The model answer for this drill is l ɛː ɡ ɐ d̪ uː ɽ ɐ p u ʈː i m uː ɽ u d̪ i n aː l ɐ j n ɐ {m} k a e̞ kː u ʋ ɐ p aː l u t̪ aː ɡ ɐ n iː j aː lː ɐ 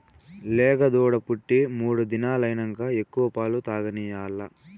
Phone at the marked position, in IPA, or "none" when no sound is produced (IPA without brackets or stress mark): ŋ